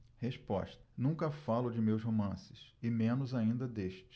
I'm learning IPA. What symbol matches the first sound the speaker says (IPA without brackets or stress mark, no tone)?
h